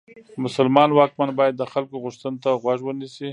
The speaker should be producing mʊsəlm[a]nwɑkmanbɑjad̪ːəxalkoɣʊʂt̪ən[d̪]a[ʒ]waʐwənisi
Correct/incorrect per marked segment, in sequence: incorrect: ɑ, incorrect: t̪, incorrect: ɣ

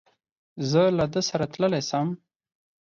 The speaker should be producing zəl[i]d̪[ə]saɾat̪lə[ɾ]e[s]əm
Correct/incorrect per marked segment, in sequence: incorrect: a, correct, incorrect: l, correct

